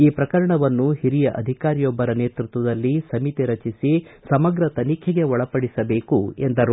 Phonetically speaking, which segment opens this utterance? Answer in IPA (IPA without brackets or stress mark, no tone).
iː